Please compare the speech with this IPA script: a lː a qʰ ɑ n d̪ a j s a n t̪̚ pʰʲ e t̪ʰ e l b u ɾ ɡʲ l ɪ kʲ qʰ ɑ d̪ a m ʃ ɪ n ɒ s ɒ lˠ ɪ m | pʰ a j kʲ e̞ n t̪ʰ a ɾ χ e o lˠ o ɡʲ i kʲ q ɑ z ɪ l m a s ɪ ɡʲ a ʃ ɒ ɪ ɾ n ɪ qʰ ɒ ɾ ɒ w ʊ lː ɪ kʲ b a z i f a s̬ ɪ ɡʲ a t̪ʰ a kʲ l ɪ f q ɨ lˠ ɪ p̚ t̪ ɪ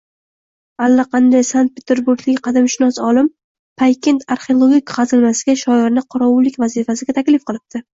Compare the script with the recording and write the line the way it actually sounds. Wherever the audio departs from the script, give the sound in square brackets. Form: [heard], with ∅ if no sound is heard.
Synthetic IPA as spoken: a lː a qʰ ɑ n d̪ a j s a n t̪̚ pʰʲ e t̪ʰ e [ɾ] b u ɾ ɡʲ l ɪ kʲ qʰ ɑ d̪ a m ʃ ɪ n ɒ s ɒ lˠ ɪ m | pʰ a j kʲ e̞ n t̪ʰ a ɾ χ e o lˠ o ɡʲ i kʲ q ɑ z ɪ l m a s ɪ ɡʲ a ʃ ɒ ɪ ɾ n ɪ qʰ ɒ ɾ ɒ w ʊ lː ɪ kʲ [v] a z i f a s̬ ɪ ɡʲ a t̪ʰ a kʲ l ɪ f q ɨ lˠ ɪ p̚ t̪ ɪ